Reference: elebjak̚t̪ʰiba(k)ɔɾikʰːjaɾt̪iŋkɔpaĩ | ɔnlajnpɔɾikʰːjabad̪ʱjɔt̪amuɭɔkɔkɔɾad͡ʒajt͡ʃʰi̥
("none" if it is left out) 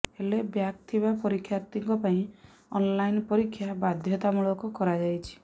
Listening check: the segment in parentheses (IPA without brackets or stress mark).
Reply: p